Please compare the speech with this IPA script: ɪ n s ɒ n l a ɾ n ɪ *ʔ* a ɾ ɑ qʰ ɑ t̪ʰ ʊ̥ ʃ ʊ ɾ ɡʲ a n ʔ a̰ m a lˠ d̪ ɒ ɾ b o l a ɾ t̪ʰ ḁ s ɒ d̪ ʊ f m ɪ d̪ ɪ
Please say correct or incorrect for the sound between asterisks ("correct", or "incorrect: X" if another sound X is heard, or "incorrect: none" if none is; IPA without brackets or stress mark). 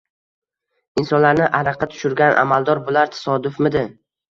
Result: correct